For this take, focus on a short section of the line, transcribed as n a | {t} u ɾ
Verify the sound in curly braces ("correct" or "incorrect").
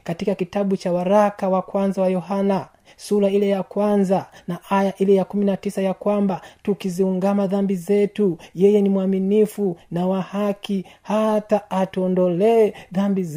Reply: incorrect